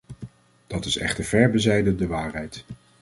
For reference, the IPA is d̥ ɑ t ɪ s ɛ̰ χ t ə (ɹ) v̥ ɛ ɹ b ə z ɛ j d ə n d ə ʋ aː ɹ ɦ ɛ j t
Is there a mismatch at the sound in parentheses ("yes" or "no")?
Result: no